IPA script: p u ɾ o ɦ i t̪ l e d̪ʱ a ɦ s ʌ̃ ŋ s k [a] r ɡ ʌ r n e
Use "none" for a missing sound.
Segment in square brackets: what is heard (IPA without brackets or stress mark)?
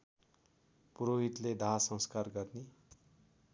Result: a